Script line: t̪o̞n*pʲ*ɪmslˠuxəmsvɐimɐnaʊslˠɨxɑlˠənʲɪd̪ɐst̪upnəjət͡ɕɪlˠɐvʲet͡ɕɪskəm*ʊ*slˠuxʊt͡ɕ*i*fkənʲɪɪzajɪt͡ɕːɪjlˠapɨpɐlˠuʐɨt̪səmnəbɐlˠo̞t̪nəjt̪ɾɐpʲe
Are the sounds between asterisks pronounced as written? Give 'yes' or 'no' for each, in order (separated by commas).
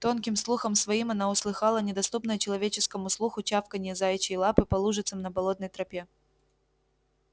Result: no, yes, no